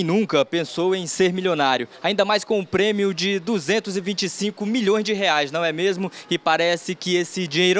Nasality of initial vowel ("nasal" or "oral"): nasal